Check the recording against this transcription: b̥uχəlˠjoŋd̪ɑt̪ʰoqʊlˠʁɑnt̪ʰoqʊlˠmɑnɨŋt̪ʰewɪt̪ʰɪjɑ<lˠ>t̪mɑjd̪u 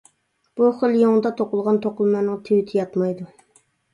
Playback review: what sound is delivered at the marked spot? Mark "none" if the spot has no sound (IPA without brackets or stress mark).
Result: none